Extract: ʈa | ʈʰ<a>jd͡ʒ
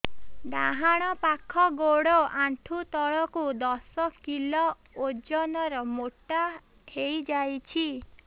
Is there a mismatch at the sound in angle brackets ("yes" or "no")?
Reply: yes